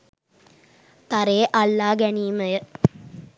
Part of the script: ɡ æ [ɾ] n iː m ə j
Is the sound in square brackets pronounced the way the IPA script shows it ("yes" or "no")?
no